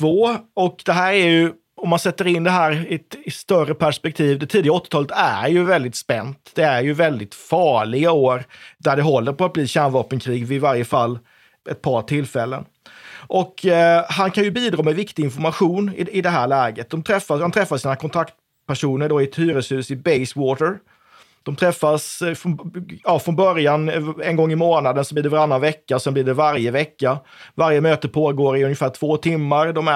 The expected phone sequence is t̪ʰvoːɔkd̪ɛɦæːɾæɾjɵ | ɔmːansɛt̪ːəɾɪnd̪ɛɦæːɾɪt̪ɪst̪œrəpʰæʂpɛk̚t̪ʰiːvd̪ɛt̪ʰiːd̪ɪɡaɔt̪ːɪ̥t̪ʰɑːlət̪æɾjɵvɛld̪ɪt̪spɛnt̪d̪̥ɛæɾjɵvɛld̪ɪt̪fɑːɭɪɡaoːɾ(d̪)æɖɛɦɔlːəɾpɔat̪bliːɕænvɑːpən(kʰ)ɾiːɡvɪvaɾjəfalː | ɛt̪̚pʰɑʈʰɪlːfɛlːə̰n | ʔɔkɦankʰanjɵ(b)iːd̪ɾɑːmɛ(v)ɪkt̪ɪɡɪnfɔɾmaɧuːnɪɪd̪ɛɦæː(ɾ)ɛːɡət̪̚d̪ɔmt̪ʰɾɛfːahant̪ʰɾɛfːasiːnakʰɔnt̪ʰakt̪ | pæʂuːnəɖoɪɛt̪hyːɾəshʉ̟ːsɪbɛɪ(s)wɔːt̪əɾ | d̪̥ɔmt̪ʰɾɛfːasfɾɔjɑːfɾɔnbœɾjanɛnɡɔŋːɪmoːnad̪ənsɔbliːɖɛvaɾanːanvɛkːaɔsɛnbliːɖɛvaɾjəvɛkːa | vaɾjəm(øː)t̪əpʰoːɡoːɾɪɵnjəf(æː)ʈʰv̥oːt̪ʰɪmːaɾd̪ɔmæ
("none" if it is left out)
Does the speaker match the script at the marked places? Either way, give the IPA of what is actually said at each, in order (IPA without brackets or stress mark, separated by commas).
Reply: d̪, kʰ, b, v, ɭ, s, øː, æː